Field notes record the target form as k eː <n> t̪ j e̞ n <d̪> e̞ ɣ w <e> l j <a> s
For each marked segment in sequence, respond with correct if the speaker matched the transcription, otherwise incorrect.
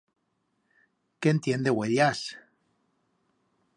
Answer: correct, correct, correct, correct

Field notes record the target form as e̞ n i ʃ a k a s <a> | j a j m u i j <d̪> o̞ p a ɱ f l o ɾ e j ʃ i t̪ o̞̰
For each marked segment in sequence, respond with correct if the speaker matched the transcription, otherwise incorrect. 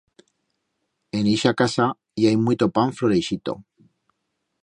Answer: correct, incorrect: t̪

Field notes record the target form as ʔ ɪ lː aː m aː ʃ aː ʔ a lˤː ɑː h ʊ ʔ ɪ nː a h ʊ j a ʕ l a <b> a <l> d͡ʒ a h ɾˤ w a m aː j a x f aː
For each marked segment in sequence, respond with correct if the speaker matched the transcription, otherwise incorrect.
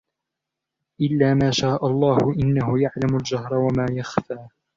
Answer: incorrect: m, correct

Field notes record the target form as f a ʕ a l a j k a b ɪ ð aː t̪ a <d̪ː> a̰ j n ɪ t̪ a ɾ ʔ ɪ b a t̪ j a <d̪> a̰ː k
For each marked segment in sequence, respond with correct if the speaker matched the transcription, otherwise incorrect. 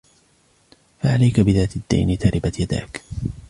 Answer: correct, correct

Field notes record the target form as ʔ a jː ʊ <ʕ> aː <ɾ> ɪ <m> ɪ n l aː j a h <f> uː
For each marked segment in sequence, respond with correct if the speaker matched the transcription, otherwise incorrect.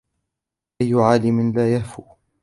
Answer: correct, incorrect: l, correct, correct

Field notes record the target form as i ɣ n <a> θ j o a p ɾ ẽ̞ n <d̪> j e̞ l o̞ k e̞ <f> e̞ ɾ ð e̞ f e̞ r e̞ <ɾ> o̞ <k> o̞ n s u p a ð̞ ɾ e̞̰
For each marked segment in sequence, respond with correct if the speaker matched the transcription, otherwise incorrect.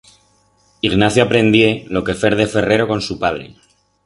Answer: correct, correct, correct, correct, correct

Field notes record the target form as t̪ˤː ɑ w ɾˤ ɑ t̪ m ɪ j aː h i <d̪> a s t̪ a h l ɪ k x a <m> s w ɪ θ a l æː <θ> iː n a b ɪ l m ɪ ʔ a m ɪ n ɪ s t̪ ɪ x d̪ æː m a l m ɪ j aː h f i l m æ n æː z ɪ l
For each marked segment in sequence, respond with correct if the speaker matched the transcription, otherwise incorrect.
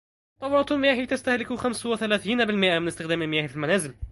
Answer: incorrect: t̪, correct, correct

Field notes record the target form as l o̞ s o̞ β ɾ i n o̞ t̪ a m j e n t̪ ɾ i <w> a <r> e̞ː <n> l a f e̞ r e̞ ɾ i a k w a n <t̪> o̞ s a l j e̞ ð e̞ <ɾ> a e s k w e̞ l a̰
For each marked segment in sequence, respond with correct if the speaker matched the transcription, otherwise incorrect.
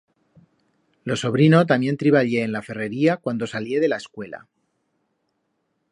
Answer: incorrect: β, incorrect: ʎ, correct, incorrect: d̪, incorrect: l

